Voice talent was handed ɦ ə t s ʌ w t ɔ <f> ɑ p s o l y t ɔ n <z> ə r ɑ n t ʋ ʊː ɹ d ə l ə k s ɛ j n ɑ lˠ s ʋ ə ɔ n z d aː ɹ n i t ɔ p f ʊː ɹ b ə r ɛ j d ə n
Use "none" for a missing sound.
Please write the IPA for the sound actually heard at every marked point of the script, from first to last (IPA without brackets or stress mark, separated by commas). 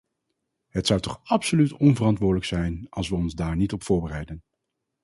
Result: χ, v